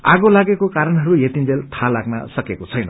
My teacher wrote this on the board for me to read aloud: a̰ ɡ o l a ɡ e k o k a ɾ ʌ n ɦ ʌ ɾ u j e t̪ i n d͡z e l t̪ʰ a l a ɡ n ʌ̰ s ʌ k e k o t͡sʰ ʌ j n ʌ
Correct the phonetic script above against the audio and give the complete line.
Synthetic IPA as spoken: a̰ ɡ o l a ɡ e k o k a ɾ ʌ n ɦ ʌ ɾ u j e t̪ i n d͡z e l t̪ʰ a l a ɡ n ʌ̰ s ʌ k e k o t͡sʰ ʌ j n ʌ